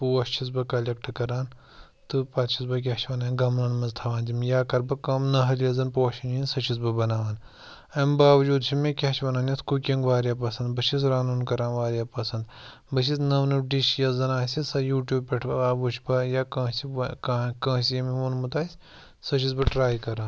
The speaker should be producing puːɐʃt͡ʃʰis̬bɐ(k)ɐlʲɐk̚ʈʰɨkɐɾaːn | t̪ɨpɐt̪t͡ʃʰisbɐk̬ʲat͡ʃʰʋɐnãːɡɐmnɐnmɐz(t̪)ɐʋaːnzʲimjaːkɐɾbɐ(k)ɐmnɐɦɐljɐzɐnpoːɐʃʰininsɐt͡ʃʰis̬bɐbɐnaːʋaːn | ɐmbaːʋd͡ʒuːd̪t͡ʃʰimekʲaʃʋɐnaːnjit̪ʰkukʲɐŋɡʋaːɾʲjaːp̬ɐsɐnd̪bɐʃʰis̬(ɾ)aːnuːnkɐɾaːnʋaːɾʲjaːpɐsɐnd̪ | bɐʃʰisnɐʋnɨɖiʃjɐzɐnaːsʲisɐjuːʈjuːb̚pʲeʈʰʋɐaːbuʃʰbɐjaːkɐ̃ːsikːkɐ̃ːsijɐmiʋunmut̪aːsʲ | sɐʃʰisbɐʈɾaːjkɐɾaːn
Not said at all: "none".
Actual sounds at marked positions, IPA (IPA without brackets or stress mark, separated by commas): k, t̪ʰ, k, ɾ